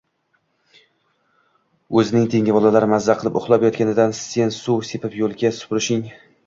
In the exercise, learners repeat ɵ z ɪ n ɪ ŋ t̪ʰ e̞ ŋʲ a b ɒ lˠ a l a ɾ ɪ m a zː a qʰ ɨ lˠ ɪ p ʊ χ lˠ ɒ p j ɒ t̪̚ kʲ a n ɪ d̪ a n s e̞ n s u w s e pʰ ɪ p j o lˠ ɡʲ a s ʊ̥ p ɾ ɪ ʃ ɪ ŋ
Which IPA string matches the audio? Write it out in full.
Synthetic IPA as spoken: ɵ z ɪ n ɪ ŋ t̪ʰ e̞ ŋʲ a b ɒ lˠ a l a ɾ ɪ m a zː a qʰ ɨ lˠ ɪ p ʊ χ lˠ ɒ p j ɒ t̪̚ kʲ a n ɪ d̪ a n s e̞ n s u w s e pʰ ɪ p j o lˠ ɡʲ a s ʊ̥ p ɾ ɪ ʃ ɪ ŋ